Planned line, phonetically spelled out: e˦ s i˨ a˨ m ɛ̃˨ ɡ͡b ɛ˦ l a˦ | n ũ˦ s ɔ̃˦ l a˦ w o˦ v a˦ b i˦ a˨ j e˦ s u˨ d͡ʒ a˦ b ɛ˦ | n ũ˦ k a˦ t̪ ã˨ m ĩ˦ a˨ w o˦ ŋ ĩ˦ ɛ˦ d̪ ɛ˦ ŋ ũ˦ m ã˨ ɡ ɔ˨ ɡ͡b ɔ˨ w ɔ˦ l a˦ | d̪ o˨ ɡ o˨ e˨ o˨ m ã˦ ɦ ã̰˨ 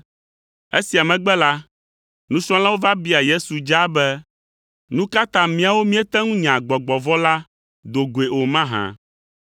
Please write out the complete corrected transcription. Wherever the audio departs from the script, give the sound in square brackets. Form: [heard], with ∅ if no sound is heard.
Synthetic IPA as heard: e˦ s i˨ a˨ m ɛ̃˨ ɡ͡b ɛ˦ l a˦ | n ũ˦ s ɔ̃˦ l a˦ w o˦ v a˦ b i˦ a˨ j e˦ s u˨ d͡ʒ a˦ b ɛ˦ | n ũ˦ k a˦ t̪ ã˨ m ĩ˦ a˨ w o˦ [m] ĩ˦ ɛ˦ [t̪] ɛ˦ ŋ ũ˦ [ɲ] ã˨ [ɡ͡b] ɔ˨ ɡ͡b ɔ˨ [v] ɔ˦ l a˦ | d̪ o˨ ɡ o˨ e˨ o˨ m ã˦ ɦ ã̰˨

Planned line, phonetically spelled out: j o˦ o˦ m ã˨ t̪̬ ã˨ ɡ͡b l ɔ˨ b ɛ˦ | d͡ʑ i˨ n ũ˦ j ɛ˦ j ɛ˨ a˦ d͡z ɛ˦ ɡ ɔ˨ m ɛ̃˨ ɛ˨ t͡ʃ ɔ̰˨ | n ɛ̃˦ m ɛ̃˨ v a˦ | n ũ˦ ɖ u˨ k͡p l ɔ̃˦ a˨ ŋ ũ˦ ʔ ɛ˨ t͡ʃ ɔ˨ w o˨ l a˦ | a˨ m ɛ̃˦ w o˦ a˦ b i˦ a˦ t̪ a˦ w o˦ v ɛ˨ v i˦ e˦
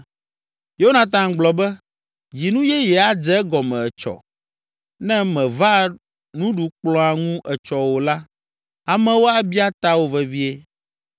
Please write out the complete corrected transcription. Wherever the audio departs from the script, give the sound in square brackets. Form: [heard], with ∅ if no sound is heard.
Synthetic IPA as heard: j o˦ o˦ [n] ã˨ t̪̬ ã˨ ɡ͡b l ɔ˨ b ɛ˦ | d͡ʑ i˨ n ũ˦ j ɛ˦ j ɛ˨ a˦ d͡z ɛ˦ ɡ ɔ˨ m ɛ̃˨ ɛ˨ t͡ʃ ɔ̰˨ | n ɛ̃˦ m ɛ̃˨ v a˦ | n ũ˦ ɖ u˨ k͡p l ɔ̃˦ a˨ ŋ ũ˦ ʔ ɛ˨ t͡ʃ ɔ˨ w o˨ l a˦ | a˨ m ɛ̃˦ w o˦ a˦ b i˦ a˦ t̪ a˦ w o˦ v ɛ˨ v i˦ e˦

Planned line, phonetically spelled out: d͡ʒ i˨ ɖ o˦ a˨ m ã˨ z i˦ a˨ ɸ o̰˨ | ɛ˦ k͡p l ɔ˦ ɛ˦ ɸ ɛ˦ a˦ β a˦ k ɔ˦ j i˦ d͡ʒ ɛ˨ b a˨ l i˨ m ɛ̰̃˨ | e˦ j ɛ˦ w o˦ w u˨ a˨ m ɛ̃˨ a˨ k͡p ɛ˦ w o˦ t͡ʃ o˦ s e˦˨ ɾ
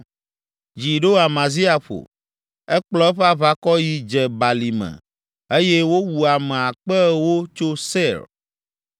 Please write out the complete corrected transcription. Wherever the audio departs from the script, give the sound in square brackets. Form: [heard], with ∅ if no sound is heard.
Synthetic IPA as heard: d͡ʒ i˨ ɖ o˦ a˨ m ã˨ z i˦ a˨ ɸ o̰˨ | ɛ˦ k͡p l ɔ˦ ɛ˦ ɸ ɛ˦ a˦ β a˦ k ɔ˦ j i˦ d͡ʒ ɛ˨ b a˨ l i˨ m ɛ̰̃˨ | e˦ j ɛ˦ w o˦ w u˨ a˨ m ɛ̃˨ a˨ k͡p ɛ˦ w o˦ t͡ʃ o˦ s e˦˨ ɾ

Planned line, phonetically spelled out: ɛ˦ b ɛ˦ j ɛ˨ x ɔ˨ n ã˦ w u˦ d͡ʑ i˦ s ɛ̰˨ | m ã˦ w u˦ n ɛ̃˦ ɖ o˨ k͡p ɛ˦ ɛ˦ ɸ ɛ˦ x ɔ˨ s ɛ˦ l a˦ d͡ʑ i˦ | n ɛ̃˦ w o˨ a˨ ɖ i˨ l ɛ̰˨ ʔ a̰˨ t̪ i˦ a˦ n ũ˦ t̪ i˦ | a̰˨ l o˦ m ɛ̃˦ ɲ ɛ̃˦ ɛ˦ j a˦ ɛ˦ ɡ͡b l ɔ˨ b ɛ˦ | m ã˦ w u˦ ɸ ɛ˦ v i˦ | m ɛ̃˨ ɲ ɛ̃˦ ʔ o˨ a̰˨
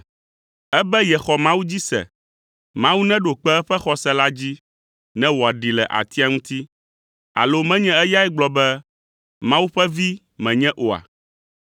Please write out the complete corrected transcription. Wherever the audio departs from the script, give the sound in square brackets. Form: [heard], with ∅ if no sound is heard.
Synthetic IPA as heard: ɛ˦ b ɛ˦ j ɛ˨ x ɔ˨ [m] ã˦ w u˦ d͡ʑ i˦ s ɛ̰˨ | m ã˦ w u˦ n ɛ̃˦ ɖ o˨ k͡p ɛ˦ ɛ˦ ɸ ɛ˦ x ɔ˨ s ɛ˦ l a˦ d͡ʑ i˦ | n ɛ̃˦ w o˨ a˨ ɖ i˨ l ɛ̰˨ ʔ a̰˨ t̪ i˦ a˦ [ŋ] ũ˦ t̪ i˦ | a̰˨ l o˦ m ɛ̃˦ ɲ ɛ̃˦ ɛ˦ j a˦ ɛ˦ ɡ͡b l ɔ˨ b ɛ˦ | m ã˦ w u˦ ɸ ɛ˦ v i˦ | m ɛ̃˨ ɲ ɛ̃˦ ʔ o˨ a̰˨

